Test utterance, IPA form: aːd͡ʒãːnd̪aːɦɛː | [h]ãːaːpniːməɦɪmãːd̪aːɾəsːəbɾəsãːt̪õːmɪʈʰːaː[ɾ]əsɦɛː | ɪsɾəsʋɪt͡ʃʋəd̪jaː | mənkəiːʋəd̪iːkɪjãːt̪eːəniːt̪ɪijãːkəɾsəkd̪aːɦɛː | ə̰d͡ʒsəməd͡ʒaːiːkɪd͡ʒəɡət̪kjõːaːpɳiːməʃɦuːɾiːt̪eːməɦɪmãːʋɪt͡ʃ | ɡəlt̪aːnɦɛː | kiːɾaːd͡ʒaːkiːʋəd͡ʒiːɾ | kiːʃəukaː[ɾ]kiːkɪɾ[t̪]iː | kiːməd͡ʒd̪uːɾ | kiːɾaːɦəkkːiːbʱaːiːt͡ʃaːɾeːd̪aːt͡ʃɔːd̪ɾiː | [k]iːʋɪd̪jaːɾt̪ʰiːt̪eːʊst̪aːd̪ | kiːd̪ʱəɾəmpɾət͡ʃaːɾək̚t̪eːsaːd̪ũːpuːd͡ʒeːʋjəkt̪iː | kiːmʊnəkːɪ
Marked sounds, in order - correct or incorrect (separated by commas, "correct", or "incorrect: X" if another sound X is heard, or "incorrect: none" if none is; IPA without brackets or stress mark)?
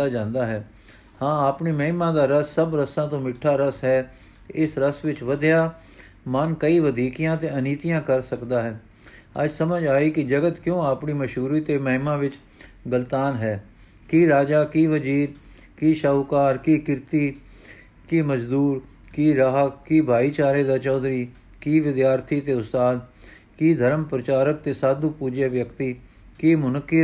correct, correct, correct, correct, correct